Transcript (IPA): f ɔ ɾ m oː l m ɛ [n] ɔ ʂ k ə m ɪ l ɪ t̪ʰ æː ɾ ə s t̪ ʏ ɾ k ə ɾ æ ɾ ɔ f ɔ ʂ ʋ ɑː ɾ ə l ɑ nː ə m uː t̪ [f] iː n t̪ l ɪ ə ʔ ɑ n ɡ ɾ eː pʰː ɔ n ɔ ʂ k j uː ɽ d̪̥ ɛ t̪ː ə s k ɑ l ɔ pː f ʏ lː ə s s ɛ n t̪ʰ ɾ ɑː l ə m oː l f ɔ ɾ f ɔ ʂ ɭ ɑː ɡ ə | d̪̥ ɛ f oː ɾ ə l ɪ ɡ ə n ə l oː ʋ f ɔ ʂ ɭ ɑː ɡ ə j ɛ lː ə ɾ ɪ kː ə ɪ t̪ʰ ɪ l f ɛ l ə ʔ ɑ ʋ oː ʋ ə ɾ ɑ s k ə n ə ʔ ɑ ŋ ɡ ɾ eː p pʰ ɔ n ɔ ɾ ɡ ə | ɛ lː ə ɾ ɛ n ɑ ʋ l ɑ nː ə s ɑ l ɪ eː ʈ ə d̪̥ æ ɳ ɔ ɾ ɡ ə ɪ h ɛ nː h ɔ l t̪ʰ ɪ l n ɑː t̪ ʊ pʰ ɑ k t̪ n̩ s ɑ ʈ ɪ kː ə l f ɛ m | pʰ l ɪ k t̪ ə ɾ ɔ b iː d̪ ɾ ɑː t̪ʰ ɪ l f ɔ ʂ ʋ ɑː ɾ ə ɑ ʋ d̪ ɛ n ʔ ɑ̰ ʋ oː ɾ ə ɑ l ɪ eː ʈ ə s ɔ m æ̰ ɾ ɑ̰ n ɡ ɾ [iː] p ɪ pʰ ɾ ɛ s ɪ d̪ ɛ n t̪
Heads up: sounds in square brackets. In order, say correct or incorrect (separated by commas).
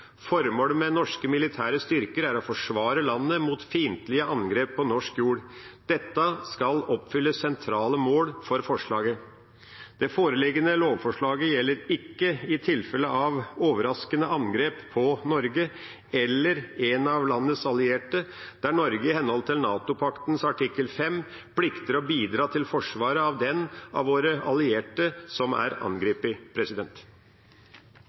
correct, correct, correct